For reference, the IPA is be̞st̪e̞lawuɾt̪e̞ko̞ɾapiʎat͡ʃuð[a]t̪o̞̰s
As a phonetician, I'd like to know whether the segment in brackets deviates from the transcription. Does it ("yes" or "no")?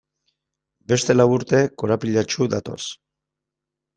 no